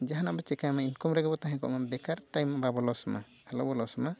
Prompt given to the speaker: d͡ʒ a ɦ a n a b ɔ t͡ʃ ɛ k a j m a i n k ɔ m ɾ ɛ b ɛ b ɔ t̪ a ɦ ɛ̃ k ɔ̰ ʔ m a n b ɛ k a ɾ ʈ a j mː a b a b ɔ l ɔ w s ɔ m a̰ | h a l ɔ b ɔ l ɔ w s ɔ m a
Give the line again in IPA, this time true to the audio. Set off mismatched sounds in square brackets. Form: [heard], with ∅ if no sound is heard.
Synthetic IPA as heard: d͡ʒ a ɦ a n a b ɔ t͡ʃ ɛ k a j m a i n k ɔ m ɾ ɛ [ɡ] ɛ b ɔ t̪ a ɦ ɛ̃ k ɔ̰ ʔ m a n b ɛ k a ɾ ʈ a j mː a b a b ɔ l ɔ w s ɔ m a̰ | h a l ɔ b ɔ l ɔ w s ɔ m a